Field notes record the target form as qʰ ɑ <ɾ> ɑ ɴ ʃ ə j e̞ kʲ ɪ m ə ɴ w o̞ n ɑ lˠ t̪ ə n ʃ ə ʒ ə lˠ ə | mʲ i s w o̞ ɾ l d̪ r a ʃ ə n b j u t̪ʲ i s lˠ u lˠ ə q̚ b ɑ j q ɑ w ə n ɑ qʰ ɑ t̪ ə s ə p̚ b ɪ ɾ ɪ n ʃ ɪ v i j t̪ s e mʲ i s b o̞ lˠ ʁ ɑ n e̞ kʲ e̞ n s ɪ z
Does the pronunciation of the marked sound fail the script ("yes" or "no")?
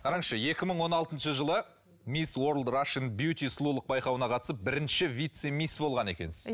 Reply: no